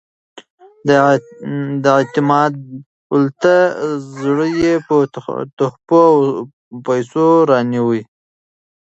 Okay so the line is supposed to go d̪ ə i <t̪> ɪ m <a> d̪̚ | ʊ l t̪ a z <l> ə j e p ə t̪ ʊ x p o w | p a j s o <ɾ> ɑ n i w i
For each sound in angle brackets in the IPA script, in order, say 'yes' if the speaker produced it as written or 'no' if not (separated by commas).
yes, no, no, yes